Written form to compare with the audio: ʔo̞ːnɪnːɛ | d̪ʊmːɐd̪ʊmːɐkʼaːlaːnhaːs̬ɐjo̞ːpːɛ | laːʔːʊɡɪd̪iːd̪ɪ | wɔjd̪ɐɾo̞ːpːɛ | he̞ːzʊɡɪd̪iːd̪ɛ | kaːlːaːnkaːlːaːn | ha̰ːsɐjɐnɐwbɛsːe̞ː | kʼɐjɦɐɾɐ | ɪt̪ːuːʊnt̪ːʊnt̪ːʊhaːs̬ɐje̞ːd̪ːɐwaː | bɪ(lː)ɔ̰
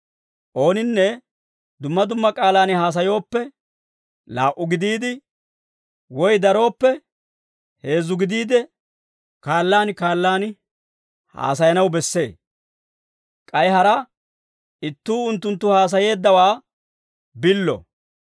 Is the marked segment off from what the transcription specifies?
no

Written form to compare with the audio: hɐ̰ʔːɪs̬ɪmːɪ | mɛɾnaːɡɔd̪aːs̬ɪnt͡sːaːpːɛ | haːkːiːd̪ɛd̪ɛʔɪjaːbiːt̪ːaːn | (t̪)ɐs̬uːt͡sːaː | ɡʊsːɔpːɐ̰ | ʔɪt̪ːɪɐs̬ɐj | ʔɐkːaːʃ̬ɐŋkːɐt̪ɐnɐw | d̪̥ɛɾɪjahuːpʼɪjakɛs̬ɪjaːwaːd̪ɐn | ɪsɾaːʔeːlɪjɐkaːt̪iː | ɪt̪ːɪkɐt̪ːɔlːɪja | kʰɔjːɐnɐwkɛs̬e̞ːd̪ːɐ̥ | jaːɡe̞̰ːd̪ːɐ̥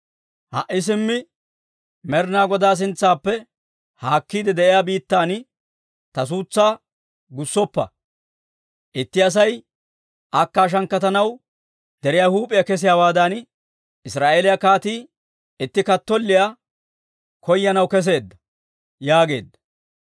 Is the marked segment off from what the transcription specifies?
no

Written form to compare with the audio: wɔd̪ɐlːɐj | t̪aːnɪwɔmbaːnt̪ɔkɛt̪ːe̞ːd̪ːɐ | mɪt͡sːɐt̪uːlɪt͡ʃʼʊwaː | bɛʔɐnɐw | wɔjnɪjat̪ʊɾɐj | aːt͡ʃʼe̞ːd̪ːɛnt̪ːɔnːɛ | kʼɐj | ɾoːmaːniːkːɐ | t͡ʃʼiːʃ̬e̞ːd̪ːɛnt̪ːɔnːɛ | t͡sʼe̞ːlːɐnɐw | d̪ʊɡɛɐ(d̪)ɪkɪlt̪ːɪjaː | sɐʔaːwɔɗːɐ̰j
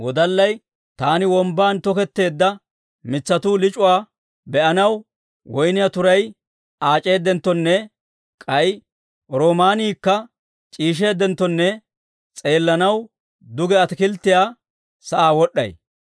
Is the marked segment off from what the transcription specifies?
yes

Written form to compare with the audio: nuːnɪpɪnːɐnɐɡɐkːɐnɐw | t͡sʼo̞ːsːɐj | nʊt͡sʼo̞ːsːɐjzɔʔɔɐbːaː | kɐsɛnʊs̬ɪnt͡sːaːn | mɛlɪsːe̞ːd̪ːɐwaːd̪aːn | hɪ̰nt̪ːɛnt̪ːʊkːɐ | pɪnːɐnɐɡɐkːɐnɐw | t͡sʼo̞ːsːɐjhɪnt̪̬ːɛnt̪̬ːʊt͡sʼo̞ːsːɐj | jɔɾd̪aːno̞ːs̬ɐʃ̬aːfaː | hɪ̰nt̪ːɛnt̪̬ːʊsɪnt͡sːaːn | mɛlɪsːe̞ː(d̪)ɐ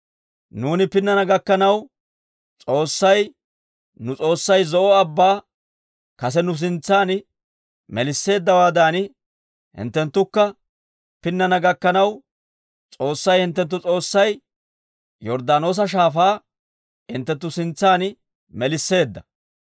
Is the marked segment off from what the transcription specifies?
yes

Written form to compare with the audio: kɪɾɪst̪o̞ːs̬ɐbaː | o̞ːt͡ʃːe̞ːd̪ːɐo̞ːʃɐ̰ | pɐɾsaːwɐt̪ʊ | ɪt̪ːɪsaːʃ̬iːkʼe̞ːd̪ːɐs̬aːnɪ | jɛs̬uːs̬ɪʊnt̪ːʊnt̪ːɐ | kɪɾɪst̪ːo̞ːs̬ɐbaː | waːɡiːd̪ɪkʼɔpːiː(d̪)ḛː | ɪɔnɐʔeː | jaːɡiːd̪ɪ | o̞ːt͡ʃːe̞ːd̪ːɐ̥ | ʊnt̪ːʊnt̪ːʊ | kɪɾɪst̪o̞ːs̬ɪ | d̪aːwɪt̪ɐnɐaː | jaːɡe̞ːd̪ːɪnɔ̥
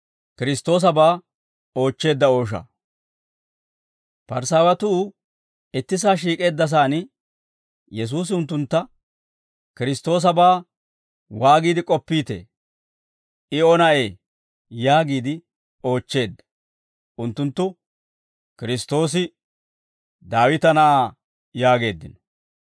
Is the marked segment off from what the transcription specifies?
yes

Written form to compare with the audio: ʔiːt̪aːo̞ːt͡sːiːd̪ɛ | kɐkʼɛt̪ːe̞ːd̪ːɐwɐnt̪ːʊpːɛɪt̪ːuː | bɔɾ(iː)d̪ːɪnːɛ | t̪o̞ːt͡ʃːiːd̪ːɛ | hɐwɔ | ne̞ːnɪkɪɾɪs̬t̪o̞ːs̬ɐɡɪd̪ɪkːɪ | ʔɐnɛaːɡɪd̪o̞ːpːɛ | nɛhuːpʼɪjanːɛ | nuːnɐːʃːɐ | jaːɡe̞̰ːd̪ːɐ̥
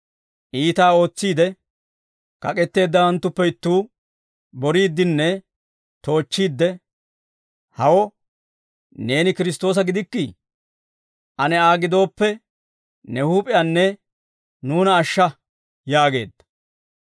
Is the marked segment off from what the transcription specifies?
no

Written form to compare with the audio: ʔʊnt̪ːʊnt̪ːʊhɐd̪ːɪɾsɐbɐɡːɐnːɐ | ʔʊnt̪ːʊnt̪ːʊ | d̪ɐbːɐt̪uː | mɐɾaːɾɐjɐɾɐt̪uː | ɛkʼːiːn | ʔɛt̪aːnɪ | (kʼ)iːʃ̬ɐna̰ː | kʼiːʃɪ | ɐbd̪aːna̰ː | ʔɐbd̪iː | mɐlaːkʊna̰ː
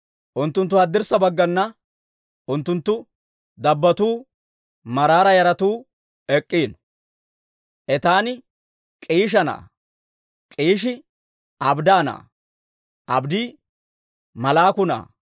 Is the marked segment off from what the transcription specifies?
no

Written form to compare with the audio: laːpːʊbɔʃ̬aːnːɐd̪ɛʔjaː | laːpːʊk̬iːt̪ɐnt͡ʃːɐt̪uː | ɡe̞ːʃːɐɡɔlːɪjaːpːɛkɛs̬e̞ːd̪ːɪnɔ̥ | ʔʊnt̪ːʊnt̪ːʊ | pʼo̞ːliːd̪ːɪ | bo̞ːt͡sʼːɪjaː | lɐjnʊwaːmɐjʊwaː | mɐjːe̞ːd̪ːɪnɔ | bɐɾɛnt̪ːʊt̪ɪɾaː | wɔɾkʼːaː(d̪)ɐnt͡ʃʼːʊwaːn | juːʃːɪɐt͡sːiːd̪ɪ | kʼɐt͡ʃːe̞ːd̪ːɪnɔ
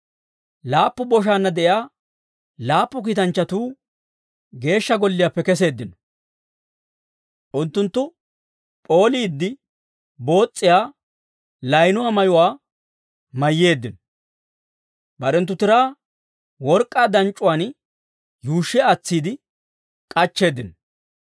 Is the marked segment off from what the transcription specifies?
no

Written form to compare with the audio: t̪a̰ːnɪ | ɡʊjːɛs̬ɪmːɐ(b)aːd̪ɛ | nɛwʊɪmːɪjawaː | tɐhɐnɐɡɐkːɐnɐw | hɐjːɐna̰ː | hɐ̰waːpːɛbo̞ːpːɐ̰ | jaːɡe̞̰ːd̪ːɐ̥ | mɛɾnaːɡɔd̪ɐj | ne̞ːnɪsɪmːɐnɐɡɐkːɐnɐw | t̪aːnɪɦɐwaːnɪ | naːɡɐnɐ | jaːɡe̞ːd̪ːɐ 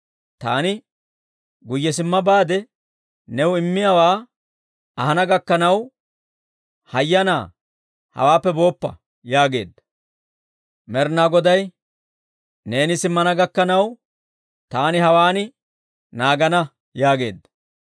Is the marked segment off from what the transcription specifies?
no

